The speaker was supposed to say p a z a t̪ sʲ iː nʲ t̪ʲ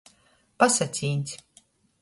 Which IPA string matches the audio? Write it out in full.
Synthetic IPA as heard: p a s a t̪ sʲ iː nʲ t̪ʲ